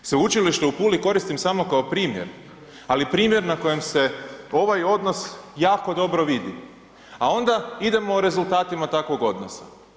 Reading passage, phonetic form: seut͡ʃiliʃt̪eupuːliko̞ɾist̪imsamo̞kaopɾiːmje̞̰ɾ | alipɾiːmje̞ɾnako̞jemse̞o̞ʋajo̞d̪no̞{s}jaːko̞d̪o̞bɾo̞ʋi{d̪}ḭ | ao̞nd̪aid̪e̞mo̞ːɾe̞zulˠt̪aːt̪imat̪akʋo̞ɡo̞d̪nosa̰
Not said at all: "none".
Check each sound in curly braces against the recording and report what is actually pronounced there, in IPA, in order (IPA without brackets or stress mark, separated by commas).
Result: s, d̪